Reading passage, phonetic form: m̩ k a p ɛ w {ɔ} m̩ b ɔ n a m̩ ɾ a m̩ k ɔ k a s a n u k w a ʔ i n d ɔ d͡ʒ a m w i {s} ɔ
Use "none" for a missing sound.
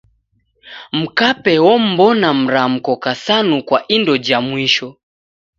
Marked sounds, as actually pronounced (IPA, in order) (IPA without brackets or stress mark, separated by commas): ɔ, ʃ